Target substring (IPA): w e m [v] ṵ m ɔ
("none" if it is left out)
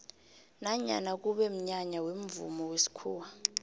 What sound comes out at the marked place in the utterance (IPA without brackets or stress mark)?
v